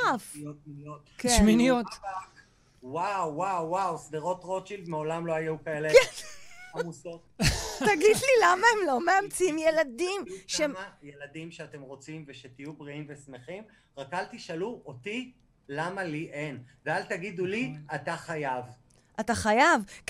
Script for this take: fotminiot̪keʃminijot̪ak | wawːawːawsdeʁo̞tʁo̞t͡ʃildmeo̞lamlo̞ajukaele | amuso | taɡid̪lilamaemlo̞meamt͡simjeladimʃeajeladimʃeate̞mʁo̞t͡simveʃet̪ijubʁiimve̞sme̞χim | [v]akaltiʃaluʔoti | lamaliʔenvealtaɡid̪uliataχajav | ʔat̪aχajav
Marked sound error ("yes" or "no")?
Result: yes